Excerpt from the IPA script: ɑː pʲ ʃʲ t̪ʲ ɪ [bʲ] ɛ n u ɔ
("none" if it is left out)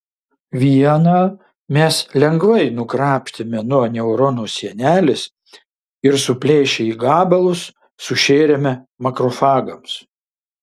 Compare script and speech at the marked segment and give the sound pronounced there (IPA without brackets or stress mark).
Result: mʲ